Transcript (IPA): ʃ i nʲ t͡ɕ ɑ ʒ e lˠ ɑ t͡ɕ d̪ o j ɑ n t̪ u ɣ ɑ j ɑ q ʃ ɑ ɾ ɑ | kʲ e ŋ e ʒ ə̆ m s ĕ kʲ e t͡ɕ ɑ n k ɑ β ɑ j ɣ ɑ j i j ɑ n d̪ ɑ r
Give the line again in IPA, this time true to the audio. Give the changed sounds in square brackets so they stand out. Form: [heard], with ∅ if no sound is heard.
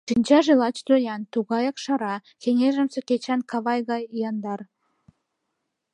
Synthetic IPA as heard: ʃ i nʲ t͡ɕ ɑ ʒ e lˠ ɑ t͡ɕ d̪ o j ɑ n t̪ u ɣ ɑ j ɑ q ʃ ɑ ɾ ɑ | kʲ e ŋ e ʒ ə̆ m s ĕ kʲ e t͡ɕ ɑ n k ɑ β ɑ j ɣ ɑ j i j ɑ n d̪ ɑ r